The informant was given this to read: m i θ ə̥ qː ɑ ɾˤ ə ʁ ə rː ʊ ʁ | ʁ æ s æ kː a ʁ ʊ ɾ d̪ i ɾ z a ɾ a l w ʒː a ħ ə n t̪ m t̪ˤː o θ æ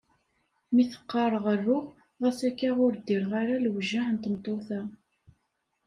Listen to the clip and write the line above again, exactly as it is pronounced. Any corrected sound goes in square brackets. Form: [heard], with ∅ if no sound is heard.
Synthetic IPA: m i θ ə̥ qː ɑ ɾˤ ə ʁ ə rː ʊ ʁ | ʁ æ s æ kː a ʁ ʊ ɾ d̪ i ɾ [ʁ] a ɾ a l w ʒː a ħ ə n t̪ m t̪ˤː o θ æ

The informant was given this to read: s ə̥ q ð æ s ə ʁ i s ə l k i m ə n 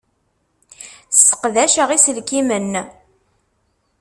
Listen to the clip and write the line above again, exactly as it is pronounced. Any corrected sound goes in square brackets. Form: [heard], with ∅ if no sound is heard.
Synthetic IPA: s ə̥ q ð æ [ʃ] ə ʁ i s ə l k i m ə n

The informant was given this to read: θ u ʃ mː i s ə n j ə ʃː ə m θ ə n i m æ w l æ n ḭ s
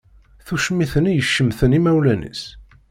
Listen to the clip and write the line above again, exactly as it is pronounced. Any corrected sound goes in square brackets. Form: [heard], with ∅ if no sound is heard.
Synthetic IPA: θ u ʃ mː i [θ] ə n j ə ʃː ə m θ ə n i m æ w l æ n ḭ s

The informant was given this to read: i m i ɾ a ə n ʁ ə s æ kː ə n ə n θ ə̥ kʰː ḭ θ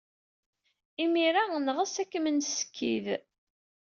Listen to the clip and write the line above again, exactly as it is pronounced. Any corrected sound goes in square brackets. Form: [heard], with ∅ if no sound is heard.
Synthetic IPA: i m i ɾ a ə n ʁ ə s æ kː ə [m] ə n [s] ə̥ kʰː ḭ [ð]

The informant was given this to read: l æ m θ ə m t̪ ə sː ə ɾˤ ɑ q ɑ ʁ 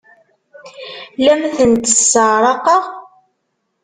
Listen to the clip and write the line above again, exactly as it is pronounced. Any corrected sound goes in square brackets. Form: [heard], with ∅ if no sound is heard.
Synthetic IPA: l æ m θ ə [n] t̪ ə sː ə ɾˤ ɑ q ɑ ʁ

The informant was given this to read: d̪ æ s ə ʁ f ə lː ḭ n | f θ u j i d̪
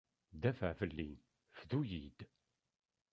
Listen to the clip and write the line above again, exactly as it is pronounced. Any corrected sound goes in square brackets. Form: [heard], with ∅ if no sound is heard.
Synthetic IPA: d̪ æ [f] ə [ʕ] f ə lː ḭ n | f [ð] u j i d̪

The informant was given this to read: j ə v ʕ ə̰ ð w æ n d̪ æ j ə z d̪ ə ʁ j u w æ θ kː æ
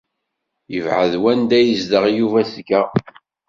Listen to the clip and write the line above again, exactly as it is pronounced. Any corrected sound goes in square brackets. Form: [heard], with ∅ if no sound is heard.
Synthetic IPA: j ə v ʕ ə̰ ð w æ n d̪ æ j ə z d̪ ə ʁ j u [v] æ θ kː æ

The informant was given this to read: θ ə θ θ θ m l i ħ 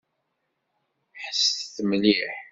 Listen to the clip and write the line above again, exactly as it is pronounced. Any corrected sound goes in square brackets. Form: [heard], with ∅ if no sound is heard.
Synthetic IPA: [ħ] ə [s] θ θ m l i ħ

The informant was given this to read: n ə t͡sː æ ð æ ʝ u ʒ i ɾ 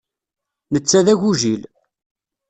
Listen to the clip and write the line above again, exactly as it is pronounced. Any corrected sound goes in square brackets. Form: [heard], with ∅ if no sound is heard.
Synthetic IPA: n ə t͡sː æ ð æ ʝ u ʒ i [l]

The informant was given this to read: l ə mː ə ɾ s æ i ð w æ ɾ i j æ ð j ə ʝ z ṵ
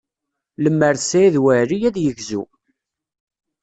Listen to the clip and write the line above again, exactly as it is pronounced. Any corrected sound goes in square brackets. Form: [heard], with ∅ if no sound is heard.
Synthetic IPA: l ə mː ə ɾ s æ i ð w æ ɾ i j æ ð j ə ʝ z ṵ

